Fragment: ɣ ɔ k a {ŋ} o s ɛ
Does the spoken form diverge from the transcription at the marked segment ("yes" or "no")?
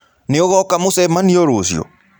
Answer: yes